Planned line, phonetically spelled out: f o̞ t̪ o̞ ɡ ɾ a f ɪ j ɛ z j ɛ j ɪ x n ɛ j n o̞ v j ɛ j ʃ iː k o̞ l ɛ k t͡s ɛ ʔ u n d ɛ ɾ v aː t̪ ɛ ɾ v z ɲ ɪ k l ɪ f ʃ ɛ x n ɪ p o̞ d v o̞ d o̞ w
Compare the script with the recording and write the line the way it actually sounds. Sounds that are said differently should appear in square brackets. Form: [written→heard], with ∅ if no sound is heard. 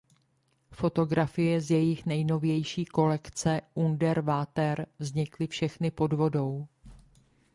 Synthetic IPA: f o̞ t̪ o̞ ɡ ɾ a f ɪ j ɛ z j ɛ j ɪ x n ɛ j n o̞ v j ɛ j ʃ iː k o̞ l ɛ k t͡s ɛ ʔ u n d ɛ ɾ v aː t̪ ɛ ɾ v z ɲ ɪ k l ɪ f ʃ ɛ x n ɪ p o̞ d v o̞ d o̞ w

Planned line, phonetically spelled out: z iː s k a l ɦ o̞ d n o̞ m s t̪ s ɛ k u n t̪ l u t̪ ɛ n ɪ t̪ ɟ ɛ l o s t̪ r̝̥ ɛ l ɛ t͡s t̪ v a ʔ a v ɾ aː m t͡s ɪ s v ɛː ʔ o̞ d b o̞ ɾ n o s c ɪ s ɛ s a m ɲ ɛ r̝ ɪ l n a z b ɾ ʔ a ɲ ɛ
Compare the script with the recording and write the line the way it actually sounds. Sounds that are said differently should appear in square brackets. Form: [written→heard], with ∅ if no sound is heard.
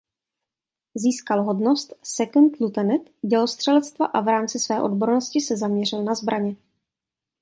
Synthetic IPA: z iː s k a l ɦ o̞ d n o̞ [m→∅] s t̪ s ɛ k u n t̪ l u t̪ ɛ n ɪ t̪ ɟ ɛ l o s t̪ r̝̥ ɛ l ɛ t͡s t̪ v a ʔ a v ɾ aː m t͡s ɪ s v ɛː ʔ o̞ d b o̞ ɾ n o s c ɪ s ɛ [s→z] a m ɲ ɛ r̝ ɪ l n a z b ɾ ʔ a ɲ ɛ

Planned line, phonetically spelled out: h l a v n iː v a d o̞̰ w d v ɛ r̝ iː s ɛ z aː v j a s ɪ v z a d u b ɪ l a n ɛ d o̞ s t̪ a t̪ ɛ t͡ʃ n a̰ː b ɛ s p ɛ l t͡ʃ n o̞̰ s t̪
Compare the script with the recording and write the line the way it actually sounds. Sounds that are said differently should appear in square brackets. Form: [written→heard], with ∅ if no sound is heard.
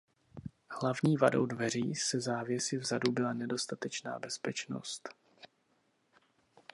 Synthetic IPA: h l a v [n→ɲ] iː v a d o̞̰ w d v ɛ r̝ iː s ɛ z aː v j [a→ɛ] s ɪ v z a d u b ɪ l a n ɛ d o̞ s t̪ a t̪ ɛ t͡ʃ n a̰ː b ɛ s p ɛ [l→∅] t͡ʃ n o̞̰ s t̪

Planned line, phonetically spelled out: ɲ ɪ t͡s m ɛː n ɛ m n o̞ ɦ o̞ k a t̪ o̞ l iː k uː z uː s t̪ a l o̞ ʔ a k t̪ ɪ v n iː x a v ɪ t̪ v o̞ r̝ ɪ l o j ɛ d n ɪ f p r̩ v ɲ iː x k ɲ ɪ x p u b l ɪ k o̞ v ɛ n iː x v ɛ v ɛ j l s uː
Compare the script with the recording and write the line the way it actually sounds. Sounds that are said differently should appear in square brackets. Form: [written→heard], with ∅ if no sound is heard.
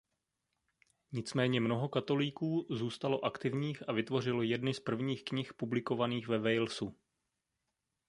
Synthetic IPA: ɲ ɪ t͡s m ɛː [n→ɲ] ɛ m n o̞ ɦ o̞ k a t̪ o̞ l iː k uː z uː s t̪ a l o̞ ʔ a k t̪ ɪ v [n→ɲ] iː x a v ɪ t̪ v o̞ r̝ ɪ l o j ɛ d n ɪ [f→s] p r̩ v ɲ iː x k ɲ ɪ x p u b l ɪ k o̞ v [ɛ→a] n iː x v ɛ v ɛ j l s [uː→u]

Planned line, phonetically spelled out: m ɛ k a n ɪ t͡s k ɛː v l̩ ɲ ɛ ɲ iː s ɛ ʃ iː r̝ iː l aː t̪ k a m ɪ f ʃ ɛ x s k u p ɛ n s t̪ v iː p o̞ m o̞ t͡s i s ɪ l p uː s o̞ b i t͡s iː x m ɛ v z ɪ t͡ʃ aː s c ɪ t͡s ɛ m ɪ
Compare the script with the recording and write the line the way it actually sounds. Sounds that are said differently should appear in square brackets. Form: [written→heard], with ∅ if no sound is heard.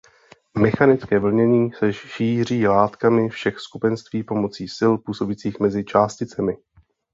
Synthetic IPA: m ɛ [k→x] a n ɪ t͡s k ɛː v l̩ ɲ ɛ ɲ iː s ɛ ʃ iː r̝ iː l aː t̪ k a m ɪ f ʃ ɛ x s k u p ɛ n s t̪ v iː p o̞ m o̞ t͡s [i→iː] s ɪ l p uː s o̞ b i t͡s iː x m ɛ [v→∅] z ɪ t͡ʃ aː s c ɪ t͡s ɛ m ɪ

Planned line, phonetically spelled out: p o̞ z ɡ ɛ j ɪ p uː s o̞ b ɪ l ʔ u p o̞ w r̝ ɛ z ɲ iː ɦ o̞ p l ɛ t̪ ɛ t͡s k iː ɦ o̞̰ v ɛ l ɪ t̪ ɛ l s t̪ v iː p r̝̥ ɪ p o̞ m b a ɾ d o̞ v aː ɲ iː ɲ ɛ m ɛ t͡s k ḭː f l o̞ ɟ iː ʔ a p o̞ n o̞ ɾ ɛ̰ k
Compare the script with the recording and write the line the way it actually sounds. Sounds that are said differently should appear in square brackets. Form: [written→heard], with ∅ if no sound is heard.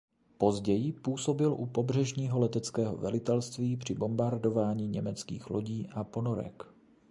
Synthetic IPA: p o̞ z [ɡ→ɟ] ɛ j ɪ p uː s o̞ b ɪ l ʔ u p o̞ [w→b] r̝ ɛ [z→ʒ] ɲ iː ɦ o̞ [p→∅] l ɛ t̪ ɛ t͡s k [iː→ɛː] ɦ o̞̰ v ɛ l ɪ t̪ ɛ l s t̪ v iː p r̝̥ ɪ [p→b] o̞ m b a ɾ d o̞ v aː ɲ iː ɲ ɛ m ɛ t͡s k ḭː [f→x] l o̞ ɟ iː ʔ a p o̞ n o̞ ɾ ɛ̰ k

